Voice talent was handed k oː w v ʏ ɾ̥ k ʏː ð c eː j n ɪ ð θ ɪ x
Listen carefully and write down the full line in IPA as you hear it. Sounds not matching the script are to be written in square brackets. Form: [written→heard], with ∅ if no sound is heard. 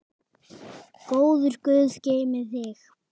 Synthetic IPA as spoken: k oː w [v→ð] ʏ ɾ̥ k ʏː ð c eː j [n→m] ɪ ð θ ɪ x